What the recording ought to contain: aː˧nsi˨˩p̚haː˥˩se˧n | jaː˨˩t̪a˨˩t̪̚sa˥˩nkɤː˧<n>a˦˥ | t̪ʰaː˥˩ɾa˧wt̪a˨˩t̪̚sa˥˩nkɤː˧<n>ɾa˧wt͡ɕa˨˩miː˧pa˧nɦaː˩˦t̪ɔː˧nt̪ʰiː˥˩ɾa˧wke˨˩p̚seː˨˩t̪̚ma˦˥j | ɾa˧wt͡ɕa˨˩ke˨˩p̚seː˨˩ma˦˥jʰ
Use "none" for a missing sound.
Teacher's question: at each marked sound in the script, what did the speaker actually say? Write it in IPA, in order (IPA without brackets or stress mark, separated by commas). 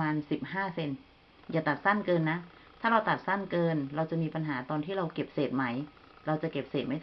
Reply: nː, n